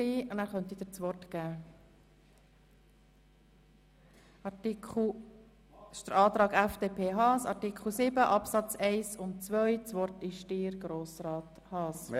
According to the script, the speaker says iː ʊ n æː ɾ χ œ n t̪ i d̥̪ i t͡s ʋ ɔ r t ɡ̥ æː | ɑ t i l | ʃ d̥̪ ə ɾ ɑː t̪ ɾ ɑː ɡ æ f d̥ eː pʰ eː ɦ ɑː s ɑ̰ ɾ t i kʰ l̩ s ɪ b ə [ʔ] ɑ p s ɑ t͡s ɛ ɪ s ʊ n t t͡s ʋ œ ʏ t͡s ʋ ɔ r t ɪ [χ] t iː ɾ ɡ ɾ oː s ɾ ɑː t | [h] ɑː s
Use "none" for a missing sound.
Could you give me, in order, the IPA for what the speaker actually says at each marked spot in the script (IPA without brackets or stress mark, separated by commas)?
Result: ʔ, ʃ, h